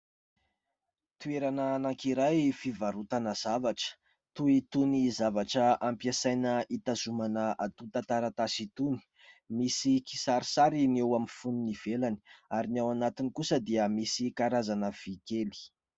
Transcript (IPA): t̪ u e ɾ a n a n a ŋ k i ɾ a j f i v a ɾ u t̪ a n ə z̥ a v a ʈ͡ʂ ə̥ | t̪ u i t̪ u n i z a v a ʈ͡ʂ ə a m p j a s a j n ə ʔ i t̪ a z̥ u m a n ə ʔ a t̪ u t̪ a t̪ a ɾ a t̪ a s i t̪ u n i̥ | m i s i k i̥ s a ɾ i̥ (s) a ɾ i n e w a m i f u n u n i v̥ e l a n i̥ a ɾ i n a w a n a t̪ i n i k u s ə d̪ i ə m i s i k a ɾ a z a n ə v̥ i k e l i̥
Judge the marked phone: correct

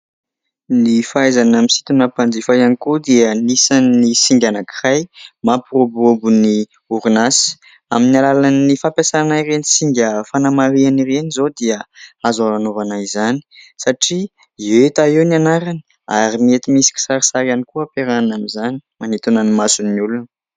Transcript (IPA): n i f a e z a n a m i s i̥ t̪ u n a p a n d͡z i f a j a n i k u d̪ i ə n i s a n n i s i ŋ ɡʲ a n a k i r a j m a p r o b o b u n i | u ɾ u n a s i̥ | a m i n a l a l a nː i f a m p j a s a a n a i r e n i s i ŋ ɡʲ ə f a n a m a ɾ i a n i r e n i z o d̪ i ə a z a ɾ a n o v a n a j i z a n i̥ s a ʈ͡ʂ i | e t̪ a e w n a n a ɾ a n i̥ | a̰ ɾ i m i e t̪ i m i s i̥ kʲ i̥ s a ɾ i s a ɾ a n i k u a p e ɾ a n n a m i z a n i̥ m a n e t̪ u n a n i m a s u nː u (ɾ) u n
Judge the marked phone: incorrect: l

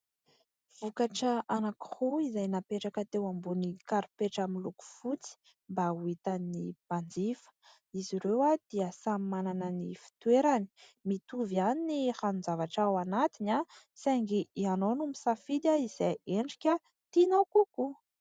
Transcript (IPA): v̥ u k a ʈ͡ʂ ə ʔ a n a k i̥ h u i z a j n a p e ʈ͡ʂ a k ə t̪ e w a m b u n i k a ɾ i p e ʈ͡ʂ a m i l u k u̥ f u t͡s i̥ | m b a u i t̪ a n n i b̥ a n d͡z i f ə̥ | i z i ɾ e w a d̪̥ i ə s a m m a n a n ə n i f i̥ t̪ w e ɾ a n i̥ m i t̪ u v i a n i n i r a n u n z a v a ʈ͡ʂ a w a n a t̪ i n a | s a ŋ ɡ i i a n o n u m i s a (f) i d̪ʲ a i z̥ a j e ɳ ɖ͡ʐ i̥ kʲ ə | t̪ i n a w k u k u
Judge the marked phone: correct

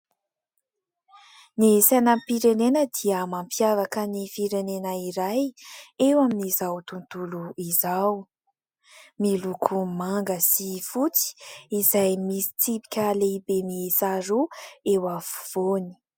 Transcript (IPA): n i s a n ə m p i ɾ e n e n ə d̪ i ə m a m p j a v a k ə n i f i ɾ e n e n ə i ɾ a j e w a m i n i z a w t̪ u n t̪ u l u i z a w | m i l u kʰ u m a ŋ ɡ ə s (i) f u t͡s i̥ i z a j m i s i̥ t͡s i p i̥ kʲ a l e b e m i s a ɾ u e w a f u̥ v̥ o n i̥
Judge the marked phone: correct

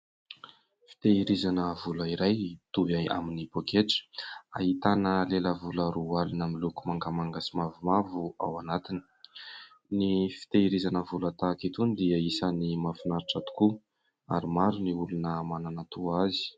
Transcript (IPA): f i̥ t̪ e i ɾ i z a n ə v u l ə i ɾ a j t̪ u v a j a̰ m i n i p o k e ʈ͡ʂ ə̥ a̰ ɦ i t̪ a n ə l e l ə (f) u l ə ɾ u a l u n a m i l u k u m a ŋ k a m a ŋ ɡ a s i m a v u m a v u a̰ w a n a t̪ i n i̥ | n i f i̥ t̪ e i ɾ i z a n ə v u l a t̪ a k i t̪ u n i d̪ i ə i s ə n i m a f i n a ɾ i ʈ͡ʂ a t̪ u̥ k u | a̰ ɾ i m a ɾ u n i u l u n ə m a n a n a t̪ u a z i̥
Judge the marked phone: incorrect: v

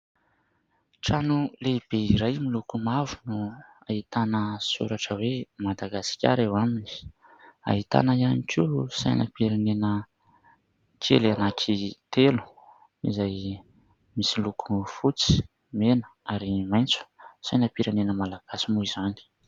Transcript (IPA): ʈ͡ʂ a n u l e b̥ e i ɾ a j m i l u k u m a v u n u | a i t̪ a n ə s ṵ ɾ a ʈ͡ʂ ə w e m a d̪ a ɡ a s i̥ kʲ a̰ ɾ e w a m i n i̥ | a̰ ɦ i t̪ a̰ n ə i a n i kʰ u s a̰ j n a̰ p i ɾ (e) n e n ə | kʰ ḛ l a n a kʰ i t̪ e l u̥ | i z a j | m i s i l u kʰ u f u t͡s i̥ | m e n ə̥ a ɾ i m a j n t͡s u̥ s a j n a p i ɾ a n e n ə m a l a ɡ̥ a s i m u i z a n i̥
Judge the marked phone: incorrect: a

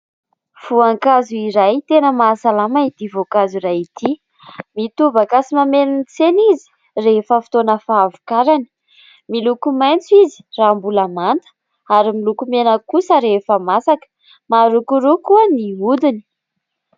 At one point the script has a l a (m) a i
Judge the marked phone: correct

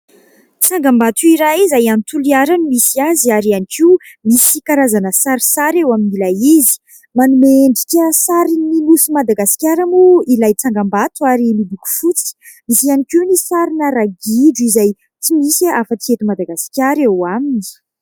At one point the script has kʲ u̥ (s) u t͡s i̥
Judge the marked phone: incorrect: f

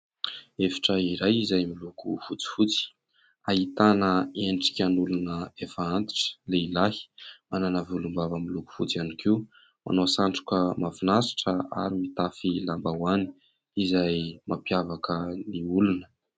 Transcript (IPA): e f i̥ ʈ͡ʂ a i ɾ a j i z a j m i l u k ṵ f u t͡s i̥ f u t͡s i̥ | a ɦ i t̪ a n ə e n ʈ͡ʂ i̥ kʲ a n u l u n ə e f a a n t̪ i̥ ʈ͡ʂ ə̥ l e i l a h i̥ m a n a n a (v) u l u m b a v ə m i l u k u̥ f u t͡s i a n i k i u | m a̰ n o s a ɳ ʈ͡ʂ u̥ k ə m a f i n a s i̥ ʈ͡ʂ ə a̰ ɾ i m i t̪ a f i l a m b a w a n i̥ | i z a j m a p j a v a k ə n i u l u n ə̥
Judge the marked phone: correct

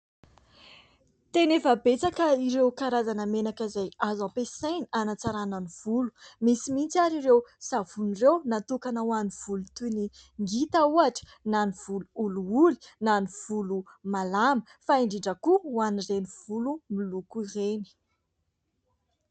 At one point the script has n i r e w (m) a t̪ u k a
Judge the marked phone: incorrect: n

